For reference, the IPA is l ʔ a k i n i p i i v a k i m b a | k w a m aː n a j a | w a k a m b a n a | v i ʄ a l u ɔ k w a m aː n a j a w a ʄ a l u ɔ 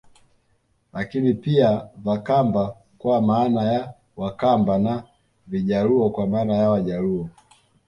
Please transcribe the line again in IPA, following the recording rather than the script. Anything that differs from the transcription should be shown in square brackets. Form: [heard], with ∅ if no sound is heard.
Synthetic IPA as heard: l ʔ a k i n i p i [a] v a k [a] m b a | k w a m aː n a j a | w a k a m b a n a | v i ʄ a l u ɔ k w a m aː n a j a w a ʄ a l u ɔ